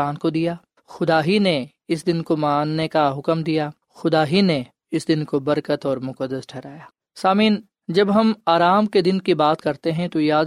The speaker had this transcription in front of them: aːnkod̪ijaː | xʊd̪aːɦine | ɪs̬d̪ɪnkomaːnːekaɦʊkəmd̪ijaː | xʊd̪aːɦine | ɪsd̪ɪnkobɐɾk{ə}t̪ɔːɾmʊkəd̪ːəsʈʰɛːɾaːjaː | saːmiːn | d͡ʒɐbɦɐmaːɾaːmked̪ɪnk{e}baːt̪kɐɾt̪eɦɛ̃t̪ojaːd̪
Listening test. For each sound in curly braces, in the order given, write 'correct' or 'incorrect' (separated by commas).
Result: correct, incorrect